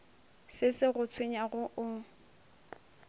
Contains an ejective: no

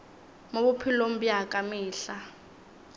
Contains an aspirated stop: yes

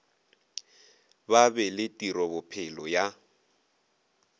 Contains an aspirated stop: yes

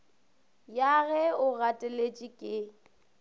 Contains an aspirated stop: no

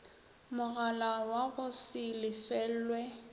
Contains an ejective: no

